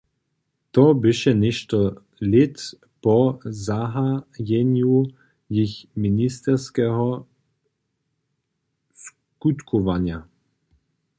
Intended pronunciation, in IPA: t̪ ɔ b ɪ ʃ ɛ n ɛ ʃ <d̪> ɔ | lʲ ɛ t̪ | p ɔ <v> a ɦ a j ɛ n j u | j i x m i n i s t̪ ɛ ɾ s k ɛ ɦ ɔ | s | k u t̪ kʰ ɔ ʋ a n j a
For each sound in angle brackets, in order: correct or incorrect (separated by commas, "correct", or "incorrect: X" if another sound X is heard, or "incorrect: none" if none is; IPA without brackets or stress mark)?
incorrect: t̪, incorrect: z